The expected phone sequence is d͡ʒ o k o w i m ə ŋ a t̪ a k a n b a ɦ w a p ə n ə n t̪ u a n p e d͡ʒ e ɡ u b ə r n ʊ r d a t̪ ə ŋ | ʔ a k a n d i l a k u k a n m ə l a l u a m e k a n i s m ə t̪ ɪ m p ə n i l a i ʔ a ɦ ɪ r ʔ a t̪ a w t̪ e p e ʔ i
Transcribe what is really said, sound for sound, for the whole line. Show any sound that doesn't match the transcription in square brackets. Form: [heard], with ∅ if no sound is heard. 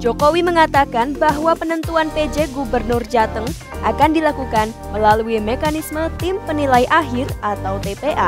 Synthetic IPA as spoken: d͡ʒ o k o w i m ə ŋ a t̪ a k a n b a ɦ w a p ə n ə n t̪ u a n p e d͡ʒ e ɡ u b ə r n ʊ r [d͡ʒ] a t̪ ə ŋ | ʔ a k a n d i l a k u k a n m ə l a l u [i] m e k a n i s m ə t̪ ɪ m p ə n i l a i ʔ a ɦ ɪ r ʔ a t̪ a w t̪ e p e ʔ [a]